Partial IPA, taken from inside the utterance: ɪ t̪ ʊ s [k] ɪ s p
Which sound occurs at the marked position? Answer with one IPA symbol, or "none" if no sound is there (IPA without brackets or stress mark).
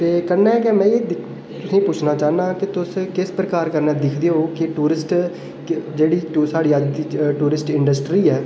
k